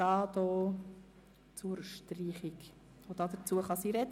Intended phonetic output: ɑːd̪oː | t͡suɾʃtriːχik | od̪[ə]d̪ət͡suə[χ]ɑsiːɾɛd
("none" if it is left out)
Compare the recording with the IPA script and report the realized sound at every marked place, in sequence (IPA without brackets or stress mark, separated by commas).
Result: ɑ, χ